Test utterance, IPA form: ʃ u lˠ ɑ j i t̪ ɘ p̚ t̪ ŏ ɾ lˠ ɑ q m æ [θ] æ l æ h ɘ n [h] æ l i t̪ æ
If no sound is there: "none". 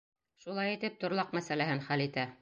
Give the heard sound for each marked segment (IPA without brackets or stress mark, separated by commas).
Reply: s, χ